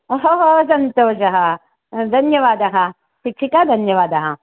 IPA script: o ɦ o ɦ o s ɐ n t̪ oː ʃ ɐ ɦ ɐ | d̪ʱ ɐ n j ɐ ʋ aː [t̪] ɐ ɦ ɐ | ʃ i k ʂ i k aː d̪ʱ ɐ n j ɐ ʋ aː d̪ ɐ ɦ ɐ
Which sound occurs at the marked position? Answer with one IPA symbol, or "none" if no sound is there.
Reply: d̪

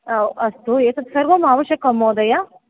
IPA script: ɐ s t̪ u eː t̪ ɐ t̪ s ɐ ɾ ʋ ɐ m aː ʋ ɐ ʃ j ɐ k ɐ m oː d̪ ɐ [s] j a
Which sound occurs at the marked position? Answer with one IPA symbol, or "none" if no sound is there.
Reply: none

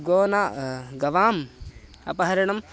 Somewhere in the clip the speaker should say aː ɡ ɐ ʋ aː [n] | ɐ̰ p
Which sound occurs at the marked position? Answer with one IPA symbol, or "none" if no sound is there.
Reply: m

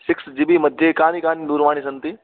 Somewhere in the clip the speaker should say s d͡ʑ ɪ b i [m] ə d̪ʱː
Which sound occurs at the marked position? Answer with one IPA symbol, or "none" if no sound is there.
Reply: m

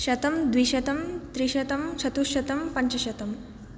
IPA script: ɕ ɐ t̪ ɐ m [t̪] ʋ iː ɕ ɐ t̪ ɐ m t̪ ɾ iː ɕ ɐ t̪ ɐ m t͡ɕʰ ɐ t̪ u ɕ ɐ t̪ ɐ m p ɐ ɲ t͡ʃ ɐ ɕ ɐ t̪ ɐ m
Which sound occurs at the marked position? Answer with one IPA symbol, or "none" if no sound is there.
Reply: d̪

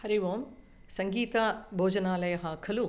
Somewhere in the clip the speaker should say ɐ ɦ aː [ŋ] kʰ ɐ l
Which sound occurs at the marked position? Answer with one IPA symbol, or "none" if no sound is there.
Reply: none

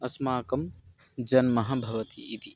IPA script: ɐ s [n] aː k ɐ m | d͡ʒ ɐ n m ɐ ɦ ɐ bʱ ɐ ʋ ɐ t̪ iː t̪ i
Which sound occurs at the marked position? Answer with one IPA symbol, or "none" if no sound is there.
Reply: m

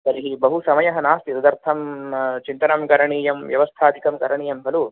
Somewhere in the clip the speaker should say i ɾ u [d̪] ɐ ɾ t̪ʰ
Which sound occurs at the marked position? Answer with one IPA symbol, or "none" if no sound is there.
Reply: d̪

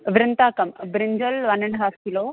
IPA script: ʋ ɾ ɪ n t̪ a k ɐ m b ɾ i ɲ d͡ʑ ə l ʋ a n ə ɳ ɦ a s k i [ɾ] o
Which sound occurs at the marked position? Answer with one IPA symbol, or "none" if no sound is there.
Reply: l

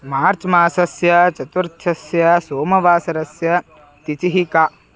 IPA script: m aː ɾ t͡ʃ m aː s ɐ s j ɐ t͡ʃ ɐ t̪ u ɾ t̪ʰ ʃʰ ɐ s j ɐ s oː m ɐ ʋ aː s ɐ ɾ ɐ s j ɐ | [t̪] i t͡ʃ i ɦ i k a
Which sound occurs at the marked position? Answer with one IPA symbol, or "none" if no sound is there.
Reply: t̪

